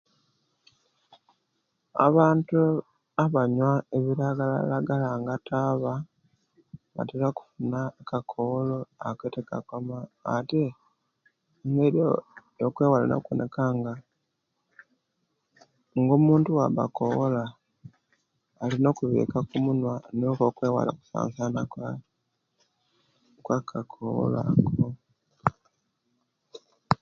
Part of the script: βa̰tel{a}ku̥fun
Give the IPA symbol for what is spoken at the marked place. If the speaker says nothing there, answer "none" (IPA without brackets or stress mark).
a